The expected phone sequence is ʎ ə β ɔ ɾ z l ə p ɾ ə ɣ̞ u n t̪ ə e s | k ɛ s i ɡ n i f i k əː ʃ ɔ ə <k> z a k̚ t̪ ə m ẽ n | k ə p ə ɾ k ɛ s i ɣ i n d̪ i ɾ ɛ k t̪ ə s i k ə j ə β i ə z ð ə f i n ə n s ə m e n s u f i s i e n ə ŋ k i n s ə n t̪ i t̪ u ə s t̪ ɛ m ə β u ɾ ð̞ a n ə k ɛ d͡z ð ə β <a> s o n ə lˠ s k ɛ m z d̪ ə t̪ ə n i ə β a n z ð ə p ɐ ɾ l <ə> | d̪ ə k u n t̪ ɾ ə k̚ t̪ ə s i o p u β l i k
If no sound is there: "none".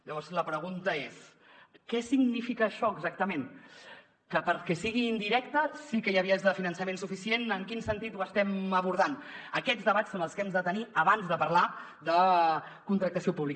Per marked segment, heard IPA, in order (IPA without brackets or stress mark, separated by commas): ɡ, a, a